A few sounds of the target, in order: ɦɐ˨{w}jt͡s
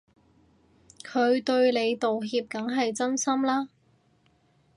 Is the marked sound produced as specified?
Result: no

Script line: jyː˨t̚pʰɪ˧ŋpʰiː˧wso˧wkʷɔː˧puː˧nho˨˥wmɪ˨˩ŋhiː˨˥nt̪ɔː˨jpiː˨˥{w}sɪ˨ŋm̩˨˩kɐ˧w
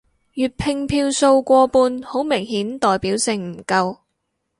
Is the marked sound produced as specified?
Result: yes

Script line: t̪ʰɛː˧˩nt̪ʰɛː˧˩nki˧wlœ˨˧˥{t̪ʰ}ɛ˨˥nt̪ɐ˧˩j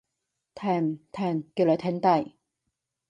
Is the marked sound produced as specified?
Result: yes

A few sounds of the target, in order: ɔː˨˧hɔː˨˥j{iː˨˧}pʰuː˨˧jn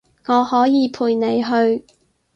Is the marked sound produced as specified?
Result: yes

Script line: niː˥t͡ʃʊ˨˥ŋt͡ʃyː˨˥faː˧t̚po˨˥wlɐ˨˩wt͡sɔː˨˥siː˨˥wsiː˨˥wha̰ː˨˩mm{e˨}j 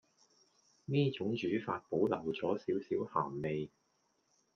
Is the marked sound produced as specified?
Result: yes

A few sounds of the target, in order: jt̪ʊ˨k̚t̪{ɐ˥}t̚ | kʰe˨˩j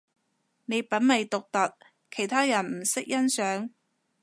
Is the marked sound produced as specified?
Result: no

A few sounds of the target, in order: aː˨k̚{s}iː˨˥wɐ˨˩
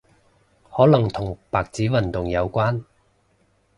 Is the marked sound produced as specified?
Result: no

